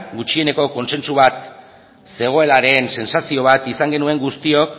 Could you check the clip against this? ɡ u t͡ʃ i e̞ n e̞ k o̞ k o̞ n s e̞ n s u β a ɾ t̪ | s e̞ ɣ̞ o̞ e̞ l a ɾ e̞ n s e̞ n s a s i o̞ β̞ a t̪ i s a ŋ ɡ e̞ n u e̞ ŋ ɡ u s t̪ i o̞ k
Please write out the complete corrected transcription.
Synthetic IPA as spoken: ɡ u t͡ʃ i e̞ n e̞ k o̞ k o̞ n s e̞ n s u β a t̪ | s e̞ ɣ̞ o̞ e̞ l a ɾ e̞ n s e̞ n s a s i o̞ β̞ a t̪ i s a ŋ ɡ e̞ n u e̞ ŋ ɡ u s t̪ i o̞ k